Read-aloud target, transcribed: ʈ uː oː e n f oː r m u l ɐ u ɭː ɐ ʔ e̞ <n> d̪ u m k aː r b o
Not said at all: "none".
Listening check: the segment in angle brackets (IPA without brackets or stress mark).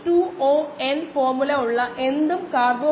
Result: n